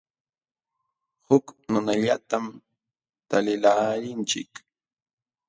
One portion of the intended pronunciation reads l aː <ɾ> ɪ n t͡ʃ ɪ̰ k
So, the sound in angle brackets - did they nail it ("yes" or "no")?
yes